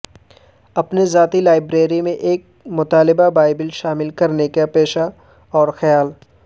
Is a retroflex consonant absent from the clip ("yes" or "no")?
yes